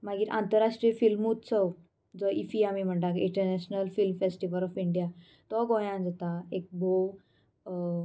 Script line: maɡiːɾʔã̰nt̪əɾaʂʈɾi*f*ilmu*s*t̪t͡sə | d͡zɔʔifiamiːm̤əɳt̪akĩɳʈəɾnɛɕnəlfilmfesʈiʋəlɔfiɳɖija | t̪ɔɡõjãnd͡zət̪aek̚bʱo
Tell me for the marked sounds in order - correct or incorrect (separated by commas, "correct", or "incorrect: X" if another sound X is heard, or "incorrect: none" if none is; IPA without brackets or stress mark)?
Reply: correct, incorrect: none